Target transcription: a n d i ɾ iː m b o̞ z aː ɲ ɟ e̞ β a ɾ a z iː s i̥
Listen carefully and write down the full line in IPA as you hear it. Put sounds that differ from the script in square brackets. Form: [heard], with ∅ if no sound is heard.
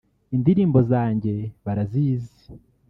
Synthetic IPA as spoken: [i] n d i ɾ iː m b o̞ z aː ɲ ɟ e̞ β a ɾ a z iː [z] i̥